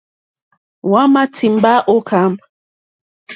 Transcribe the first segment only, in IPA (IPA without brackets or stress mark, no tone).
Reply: w